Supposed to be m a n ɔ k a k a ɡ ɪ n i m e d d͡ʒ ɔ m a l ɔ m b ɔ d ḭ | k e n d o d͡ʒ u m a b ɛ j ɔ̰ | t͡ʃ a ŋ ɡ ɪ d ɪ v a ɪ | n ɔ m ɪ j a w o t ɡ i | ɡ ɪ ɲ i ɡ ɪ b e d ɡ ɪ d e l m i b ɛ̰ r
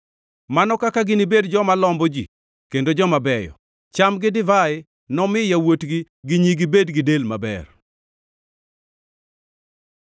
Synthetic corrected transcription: m a n ɔ k a k a ɡ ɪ n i b e d d͡ʒ ɔ m a l ɔ m b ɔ d͡ʒ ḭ | k e n d o d͡ʒ ɔ m a b ɛ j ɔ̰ | t͡ʃ a m ɡ ɪ d ɪ v a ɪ | n ɔ m ɪ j a w o t ɡ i | ɡ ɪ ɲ i ɡ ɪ b e d ɡ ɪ d e l m a b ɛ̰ r

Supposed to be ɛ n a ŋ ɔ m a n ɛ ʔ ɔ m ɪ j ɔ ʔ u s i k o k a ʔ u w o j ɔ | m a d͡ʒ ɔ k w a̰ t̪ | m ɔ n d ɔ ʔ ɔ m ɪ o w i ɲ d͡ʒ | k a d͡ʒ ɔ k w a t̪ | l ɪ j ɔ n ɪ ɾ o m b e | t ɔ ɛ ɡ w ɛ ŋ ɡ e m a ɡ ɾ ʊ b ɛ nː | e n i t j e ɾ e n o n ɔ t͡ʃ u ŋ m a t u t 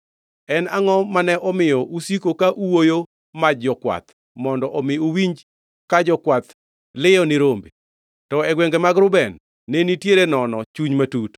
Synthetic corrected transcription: ɛ n a ŋ ɔ m a n ɛ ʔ ɔ m ɪ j ɔ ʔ u s i k o k a ʔ u w o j o | m a d͡ʒ ɔ k w a̰ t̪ | m ɔ n d ɔ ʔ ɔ m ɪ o w i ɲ d͡ʒ | k a d͡ʒ ɔ k w a t̪ | l ɪ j ɔ n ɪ ɾ o m b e | t ɔ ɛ ɡ w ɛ ŋ ɡ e m a ɡ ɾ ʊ b ɛ nː | e n i t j e ɾ e n ɔ n ɔ t͡ʃ u ɲ m a t u t

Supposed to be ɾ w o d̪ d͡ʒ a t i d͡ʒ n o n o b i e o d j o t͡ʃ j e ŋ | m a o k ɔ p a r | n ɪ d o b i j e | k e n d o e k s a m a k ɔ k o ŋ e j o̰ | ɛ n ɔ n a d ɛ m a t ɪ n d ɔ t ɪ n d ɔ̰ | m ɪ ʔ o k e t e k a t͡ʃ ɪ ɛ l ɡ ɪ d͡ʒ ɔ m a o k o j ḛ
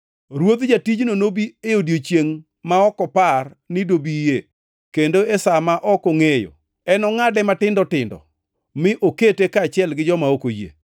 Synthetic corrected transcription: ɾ w o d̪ d͡ʒ a t i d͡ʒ n o n o b i e o d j o t͡ʃ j e ŋ | m a ɔ k ɔ p a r | n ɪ d o b i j e | k e n d o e s a m a ʔ ɔ k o ŋ e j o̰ | ɛ n ɔ ŋ a d ɛ m a t ɪ n d ɔ t ɪ n d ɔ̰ | m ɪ ʔ o k e t e k a t͡ʃ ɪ ɛ l ɡ ɪ d͡ʒ ɔ m a o k o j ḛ

